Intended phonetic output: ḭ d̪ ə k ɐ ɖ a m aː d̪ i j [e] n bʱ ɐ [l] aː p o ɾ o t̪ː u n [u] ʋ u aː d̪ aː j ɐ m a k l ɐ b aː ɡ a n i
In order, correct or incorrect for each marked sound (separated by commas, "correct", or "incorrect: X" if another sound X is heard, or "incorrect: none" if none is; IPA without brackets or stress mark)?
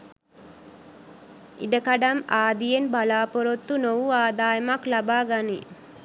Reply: correct, correct, incorrect: o